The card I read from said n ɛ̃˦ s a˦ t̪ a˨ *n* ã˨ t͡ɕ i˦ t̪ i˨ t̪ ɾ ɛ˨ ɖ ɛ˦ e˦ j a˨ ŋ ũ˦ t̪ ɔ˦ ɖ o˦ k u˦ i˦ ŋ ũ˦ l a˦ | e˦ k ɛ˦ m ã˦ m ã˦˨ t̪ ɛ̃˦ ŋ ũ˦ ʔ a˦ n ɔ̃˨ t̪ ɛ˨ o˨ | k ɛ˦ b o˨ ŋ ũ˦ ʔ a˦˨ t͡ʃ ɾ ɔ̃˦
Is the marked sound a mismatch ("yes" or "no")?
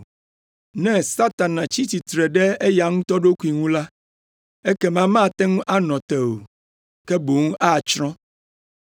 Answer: no